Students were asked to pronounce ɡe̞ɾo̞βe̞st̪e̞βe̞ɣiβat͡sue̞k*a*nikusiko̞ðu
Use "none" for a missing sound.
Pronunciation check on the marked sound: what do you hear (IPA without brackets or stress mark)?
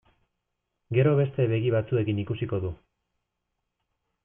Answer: i